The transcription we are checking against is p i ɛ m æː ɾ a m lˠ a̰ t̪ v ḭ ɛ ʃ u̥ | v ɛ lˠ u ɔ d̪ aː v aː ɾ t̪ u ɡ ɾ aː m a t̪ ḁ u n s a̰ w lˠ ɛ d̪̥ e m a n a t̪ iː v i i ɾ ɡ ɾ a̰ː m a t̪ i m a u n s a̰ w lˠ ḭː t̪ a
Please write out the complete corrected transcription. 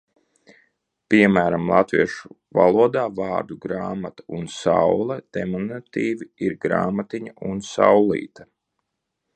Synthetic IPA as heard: p i ɛ m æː ɾ a m lˠ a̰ t̪ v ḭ ɛ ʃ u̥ | v a lˠ u ɔ d̪ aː v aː ɾ d̪ u ɡ ɾ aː m a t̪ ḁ u n s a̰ w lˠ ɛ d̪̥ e m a n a t̪ iː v i i ɾ ɡ ɾ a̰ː m a t̪ i ɲ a u n s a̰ w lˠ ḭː t̪ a